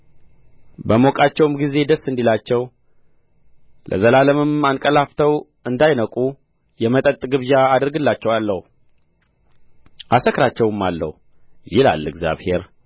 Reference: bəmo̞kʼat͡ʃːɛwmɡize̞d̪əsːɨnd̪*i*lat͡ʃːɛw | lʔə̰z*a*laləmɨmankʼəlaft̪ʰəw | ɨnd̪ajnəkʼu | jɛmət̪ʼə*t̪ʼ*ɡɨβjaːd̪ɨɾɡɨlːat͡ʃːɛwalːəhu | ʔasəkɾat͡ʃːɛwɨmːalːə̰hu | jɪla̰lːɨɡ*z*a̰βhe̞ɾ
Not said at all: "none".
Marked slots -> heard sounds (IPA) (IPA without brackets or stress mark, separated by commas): i, ə, t̪ʼ, z